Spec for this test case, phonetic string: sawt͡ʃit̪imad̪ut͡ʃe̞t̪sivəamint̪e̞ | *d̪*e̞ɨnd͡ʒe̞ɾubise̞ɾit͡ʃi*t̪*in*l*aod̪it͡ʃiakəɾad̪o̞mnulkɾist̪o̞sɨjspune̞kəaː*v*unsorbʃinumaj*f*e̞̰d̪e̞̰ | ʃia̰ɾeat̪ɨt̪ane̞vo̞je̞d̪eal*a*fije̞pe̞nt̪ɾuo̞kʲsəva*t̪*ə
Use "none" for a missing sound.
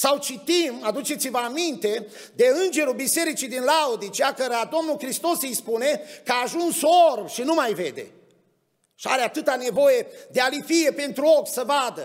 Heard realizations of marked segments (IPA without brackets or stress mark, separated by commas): d̪, d̪, l, ʒ, v, i, d̪